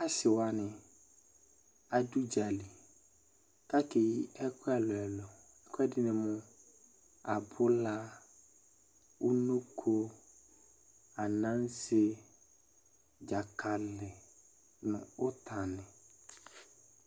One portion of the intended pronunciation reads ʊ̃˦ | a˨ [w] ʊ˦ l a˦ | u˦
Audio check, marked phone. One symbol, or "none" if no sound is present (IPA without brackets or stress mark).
b